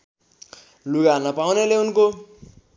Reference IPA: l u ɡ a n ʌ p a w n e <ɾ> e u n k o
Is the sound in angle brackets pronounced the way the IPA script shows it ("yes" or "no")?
no